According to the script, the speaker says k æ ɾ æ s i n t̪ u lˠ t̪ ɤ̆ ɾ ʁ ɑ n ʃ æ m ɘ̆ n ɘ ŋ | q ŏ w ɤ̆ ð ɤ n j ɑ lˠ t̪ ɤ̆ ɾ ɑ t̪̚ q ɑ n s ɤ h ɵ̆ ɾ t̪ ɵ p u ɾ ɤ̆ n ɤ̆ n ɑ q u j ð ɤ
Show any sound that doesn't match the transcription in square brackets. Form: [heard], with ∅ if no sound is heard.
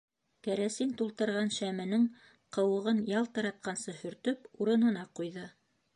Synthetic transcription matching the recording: k æ ɾ æ s i n t̪ u lˠ t̪ ɤ̆ ɾ ʁ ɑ n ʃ æ m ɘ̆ n ɘ ŋ | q [ɤ̆] w ɤ̆ [ʁ] ɤ n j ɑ lˠ t̪ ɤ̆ ɾ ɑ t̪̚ q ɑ n s ɤ h ɵ̆ ɾ t̪ ɵ p u ɾ ɤ̆ n ɤ̆ n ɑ q u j ð ɤ